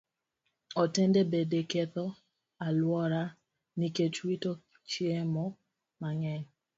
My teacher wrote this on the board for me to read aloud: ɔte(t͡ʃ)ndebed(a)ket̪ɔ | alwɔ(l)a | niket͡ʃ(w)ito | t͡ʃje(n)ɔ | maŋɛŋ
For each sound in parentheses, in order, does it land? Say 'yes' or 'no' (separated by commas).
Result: no, no, no, yes, no